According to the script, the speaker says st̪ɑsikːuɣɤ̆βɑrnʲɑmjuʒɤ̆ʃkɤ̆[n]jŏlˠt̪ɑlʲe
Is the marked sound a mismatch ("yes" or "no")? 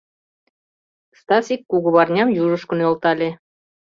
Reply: no